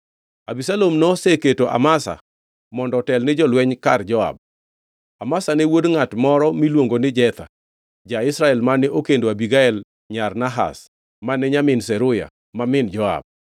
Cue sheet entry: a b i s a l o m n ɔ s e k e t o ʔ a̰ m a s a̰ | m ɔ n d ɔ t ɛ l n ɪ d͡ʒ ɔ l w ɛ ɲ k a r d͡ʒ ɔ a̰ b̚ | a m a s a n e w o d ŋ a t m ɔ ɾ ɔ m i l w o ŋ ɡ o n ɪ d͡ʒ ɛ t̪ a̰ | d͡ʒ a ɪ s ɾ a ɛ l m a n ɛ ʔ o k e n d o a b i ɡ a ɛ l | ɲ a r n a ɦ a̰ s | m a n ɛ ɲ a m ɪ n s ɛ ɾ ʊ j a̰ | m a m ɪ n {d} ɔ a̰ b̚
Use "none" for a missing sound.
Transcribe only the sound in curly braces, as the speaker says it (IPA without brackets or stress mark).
d͡ʒ